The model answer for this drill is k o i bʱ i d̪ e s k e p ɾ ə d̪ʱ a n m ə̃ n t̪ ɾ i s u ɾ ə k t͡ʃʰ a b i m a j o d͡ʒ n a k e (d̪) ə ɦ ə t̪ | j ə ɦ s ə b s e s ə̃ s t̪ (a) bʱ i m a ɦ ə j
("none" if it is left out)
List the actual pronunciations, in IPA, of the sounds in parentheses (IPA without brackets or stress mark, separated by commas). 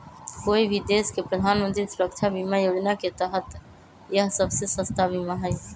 t̪, a